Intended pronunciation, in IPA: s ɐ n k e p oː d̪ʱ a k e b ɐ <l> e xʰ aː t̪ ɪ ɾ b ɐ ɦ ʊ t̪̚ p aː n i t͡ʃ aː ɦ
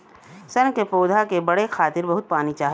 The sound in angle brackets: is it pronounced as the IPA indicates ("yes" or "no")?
no